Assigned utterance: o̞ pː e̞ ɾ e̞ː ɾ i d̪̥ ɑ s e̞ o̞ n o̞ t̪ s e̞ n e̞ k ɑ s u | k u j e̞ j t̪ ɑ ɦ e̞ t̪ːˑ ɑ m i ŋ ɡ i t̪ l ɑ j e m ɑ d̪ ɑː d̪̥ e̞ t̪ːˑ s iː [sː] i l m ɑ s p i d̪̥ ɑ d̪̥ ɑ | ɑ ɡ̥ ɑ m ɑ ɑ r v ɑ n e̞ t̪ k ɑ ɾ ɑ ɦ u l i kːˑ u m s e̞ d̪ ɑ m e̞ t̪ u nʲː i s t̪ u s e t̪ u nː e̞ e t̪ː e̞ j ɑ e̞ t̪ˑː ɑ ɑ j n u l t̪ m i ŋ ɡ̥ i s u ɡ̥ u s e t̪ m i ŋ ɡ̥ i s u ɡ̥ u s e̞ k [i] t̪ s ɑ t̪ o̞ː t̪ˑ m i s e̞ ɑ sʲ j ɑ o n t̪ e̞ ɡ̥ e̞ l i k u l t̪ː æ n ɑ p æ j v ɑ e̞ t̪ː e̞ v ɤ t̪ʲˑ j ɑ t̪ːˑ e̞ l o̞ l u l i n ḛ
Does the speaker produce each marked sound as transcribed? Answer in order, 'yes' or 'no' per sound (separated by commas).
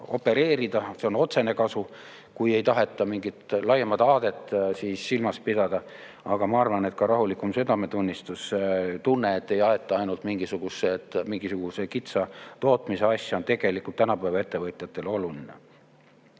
yes, yes